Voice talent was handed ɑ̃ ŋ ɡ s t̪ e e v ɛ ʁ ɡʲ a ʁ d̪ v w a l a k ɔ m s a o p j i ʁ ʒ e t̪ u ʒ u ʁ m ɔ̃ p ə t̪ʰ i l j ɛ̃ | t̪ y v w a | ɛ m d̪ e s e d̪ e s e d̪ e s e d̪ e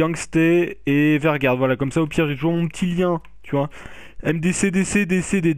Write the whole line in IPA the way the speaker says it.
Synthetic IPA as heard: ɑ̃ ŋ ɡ s t̪ e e v ɛ ʁ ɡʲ a ʁ d̪ v w a l a k ɔ m s a o p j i ʁ ʒ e t̪ u ʒ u ʁ m ɔ̃ p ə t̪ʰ i l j ɛ̃ | t̪ y v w a | ɛ m d̪ e s e d̪ e s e d̪ e s e d̪ e